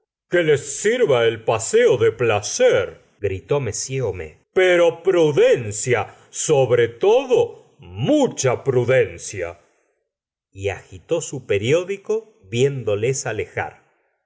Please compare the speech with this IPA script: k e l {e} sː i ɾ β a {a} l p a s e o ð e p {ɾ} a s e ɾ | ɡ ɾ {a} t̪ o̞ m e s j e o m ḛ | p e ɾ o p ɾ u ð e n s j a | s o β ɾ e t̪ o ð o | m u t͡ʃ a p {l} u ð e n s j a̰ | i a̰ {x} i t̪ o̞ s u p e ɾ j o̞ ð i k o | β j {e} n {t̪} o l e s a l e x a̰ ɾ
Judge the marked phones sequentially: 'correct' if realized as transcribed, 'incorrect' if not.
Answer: correct, incorrect, incorrect, incorrect, incorrect, correct, correct, incorrect

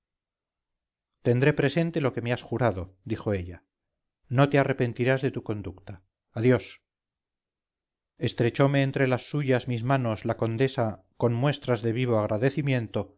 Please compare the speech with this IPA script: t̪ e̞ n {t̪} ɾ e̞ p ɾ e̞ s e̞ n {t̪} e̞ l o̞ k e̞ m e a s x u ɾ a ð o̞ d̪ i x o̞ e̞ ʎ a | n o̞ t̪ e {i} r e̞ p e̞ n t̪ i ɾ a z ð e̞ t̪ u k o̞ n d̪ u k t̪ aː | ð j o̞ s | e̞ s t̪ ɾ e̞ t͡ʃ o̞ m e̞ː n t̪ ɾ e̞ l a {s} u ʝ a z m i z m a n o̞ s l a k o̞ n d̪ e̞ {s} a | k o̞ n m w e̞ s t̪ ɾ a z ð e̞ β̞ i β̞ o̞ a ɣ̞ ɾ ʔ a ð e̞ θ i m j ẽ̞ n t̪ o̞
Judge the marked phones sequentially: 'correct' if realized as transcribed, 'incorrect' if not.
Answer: incorrect, correct, incorrect, incorrect, correct

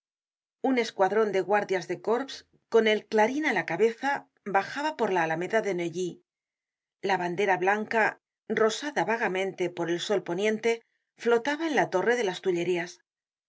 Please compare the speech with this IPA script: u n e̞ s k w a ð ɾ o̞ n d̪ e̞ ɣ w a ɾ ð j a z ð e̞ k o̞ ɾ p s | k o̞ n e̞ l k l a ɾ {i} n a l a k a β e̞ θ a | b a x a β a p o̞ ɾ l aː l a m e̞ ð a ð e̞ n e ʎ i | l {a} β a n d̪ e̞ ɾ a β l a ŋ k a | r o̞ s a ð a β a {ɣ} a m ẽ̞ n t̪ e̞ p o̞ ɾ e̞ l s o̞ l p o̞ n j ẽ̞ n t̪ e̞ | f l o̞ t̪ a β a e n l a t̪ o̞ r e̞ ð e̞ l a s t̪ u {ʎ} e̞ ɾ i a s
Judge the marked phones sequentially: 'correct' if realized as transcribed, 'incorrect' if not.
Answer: correct, correct, correct, correct

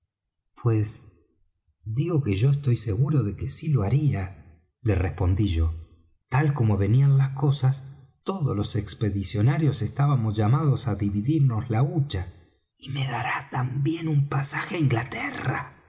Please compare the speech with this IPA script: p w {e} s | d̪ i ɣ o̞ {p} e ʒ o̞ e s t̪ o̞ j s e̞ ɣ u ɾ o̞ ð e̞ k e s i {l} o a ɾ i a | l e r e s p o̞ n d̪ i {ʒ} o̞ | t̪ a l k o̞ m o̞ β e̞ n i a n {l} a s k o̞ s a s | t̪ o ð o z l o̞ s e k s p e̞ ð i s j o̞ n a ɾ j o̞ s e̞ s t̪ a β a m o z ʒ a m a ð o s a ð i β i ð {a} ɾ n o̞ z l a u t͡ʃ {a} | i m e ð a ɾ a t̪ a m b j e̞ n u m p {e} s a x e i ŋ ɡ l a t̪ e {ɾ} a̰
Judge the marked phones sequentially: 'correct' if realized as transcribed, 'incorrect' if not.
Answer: correct, incorrect, correct, correct, correct, incorrect, correct, incorrect, incorrect

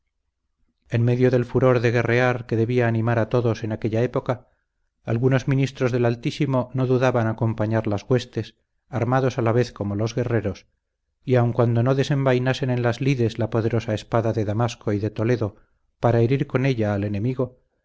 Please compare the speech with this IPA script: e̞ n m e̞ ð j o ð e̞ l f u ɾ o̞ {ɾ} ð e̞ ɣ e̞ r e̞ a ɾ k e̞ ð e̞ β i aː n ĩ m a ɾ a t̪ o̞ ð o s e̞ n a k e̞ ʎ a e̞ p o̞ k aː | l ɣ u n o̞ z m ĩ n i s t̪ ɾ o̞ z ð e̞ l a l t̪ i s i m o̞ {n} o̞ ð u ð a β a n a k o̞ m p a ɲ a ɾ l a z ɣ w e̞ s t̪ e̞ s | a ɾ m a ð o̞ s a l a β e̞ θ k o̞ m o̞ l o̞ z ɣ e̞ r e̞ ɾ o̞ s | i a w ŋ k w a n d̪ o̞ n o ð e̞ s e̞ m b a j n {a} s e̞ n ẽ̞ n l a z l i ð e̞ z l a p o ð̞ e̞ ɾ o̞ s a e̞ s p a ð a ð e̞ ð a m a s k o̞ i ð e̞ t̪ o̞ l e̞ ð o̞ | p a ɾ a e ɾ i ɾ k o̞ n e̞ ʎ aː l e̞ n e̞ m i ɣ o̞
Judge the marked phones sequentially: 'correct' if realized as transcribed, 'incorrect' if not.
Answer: correct, correct, correct

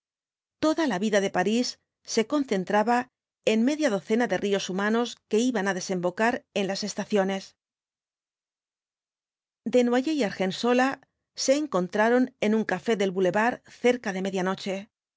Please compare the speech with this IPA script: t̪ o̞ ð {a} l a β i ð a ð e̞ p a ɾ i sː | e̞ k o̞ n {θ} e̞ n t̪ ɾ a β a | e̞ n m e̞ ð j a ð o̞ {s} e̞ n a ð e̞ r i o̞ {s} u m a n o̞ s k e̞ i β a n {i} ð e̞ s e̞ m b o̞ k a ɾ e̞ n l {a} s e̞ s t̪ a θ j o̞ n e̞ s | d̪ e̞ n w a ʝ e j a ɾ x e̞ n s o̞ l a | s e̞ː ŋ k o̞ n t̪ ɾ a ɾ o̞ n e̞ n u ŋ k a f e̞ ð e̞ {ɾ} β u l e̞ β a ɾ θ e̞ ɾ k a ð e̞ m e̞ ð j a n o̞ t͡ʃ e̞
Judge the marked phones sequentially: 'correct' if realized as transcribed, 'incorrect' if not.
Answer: correct, correct, incorrect, correct, incorrect, correct, incorrect

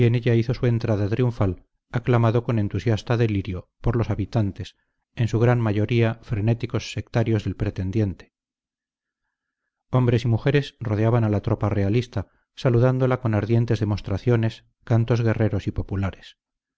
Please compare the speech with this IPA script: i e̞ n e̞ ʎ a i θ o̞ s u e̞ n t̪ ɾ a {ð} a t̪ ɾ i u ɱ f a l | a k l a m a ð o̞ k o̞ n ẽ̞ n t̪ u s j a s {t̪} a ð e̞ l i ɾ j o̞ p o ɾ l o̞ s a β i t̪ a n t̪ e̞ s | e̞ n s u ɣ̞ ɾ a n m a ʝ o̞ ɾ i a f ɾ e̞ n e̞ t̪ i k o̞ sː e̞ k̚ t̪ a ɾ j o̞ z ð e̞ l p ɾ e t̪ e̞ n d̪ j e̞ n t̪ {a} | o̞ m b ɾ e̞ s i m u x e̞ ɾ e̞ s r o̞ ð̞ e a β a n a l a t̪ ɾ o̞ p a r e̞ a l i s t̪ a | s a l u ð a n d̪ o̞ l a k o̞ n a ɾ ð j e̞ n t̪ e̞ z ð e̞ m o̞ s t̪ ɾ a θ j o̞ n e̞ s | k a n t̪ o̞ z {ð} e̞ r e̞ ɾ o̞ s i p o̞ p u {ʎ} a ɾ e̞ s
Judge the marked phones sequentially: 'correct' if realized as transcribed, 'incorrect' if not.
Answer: correct, correct, incorrect, incorrect, incorrect

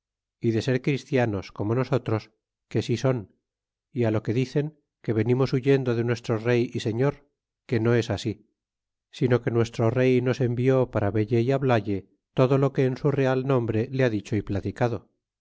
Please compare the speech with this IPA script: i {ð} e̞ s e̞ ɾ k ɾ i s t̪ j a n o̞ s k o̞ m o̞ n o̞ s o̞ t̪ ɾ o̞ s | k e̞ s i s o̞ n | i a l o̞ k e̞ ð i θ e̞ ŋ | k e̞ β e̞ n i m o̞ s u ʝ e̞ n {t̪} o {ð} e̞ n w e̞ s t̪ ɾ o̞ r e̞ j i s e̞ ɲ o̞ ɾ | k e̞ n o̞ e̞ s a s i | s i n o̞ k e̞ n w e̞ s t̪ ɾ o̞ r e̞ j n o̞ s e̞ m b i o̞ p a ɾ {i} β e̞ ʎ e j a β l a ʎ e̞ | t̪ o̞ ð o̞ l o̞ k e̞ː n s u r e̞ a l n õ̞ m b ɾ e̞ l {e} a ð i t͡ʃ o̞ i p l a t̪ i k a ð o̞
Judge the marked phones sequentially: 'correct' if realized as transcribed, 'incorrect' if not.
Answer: correct, incorrect, correct, incorrect, correct

